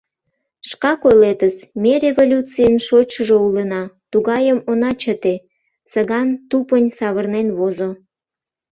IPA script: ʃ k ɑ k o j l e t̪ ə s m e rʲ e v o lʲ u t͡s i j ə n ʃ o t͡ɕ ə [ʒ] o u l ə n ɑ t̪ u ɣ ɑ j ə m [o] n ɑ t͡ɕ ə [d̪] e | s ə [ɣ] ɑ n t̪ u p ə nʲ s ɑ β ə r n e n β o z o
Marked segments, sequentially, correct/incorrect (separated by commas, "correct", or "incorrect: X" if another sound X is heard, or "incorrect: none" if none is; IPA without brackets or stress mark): correct, correct, incorrect: t̪, correct